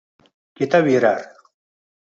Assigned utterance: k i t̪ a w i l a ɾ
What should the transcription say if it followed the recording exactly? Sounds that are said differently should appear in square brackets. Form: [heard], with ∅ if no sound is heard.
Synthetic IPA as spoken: k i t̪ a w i [ɾ] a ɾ